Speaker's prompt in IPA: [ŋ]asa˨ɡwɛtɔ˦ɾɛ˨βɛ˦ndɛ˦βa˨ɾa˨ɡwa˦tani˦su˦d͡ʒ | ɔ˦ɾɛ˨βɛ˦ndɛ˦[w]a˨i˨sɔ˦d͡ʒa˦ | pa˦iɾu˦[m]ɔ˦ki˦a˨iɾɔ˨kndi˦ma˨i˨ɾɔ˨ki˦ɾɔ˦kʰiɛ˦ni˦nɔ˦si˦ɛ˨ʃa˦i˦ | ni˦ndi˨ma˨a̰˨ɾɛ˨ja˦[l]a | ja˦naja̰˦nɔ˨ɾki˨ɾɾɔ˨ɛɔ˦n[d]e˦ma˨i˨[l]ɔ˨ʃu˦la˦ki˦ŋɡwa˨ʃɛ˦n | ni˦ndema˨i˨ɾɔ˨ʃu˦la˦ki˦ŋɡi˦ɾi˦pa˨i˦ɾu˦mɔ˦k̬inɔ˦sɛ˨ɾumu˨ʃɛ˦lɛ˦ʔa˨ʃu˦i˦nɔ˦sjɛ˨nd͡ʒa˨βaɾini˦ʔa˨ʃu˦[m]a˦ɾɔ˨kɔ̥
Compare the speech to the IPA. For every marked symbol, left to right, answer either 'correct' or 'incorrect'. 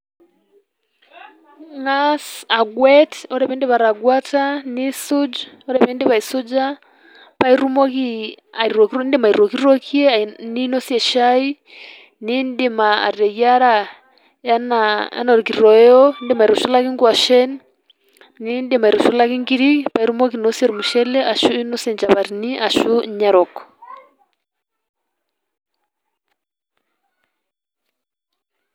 correct, incorrect, correct, incorrect, correct, incorrect, incorrect

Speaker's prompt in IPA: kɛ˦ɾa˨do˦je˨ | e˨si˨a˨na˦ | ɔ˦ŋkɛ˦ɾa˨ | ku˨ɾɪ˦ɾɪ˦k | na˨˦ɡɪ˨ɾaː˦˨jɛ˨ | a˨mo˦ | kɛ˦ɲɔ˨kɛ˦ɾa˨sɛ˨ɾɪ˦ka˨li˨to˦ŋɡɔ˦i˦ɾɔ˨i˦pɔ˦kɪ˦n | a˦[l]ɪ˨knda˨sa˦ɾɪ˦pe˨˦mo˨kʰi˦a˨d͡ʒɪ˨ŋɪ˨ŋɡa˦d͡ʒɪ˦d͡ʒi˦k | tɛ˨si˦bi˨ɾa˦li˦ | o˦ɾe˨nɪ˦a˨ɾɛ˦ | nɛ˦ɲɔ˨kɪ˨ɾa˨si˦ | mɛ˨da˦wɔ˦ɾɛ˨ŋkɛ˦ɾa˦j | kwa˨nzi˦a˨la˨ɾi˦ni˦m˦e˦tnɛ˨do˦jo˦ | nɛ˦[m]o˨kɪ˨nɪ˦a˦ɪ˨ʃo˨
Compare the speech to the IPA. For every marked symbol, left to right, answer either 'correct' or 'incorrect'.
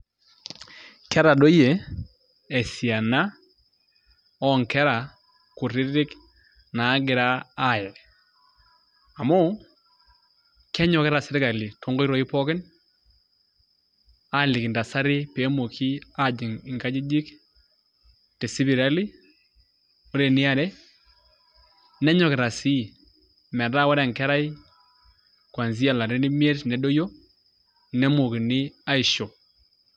correct, correct

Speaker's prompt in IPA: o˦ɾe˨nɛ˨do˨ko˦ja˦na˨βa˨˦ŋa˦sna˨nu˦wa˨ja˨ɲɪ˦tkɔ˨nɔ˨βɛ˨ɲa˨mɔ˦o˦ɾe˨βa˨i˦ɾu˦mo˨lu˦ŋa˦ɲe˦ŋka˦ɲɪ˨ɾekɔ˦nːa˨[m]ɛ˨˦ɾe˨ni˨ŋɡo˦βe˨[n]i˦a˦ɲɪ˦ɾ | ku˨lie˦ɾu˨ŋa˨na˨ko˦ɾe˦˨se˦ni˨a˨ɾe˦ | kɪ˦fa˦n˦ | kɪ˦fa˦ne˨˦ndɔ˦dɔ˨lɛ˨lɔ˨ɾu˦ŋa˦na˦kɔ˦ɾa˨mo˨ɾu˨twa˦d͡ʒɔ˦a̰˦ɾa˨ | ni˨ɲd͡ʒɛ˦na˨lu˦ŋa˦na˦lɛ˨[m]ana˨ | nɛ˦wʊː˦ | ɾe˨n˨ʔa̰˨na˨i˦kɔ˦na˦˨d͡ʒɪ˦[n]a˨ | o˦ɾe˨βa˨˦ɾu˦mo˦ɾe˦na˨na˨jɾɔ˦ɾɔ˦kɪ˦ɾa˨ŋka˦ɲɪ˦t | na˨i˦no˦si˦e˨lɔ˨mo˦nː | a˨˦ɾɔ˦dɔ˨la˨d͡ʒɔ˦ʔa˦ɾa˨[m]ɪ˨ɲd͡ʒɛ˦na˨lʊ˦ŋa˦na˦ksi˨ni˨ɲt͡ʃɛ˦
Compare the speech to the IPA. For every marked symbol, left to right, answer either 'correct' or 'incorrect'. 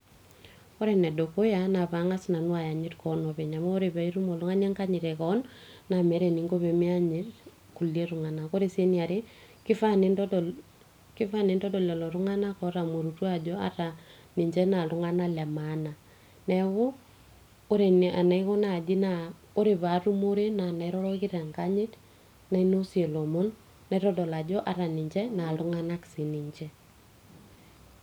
correct, incorrect, correct, correct, incorrect

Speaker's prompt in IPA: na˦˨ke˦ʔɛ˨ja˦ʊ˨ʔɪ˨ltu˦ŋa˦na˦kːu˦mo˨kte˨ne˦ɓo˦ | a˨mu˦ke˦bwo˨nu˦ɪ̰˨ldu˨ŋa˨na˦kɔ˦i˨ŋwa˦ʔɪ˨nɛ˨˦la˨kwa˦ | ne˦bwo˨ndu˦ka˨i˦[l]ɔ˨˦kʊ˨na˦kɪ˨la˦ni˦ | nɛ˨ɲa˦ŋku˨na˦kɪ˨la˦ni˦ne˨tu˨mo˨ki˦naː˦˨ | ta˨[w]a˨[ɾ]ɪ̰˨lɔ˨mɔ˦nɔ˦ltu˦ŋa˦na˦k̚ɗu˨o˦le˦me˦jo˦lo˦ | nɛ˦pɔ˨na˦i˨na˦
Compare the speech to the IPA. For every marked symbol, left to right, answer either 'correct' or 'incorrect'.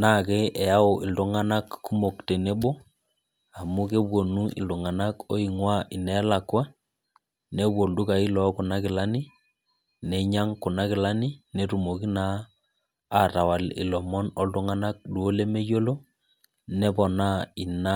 correct, correct, incorrect

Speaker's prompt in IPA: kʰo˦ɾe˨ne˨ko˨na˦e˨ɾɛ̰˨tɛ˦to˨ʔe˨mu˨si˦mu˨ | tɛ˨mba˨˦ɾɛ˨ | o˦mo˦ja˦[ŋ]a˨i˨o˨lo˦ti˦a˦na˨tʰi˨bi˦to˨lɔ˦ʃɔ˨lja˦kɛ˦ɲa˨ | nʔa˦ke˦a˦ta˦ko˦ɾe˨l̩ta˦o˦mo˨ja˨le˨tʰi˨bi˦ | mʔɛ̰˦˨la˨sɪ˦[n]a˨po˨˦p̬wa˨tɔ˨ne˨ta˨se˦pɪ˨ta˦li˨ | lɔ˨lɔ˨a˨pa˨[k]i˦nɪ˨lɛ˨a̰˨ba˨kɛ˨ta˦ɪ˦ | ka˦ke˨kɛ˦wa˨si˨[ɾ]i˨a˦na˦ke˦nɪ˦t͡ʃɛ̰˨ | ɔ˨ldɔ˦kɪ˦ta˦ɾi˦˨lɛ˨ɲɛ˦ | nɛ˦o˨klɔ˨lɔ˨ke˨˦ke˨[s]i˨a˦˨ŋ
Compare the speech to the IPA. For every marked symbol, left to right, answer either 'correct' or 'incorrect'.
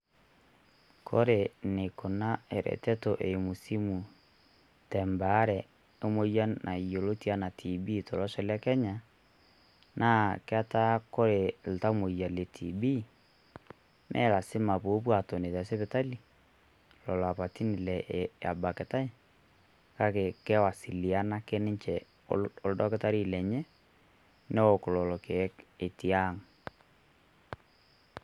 incorrect, incorrect, incorrect, incorrect, incorrect

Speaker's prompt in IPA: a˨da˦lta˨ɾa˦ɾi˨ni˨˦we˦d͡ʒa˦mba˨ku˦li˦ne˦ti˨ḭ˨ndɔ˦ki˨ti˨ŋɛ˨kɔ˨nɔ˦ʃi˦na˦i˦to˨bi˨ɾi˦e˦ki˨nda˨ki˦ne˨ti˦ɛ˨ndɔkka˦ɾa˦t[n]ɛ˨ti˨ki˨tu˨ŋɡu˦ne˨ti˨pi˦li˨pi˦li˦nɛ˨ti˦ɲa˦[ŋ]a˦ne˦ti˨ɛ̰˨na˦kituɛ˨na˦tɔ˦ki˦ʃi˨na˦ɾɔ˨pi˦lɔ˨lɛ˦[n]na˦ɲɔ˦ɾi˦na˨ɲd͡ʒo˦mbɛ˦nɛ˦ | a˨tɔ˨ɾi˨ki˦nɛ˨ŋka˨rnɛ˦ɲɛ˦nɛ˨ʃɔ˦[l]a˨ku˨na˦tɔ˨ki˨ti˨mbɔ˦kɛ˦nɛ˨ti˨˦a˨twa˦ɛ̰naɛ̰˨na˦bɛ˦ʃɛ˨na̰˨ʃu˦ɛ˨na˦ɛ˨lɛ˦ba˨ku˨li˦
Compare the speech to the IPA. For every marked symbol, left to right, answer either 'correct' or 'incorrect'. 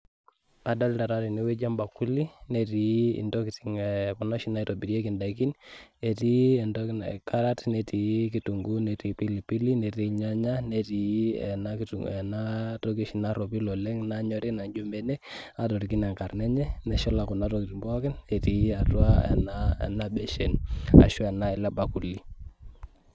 correct, incorrect, incorrect, correct

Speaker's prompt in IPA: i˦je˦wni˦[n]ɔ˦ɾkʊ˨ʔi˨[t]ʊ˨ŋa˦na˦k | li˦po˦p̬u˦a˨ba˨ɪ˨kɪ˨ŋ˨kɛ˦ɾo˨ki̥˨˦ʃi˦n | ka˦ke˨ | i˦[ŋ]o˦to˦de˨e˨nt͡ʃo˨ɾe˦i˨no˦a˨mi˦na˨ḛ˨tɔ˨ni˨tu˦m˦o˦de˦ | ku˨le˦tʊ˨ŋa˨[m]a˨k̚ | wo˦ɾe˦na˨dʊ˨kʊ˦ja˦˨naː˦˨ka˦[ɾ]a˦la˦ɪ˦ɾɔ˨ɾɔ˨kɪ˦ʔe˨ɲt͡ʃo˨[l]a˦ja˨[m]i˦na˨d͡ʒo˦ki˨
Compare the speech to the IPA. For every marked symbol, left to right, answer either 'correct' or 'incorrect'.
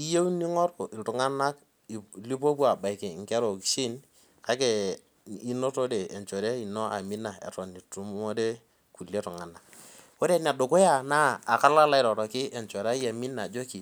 incorrect, correct, incorrect, incorrect, incorrect, incorrect, correct

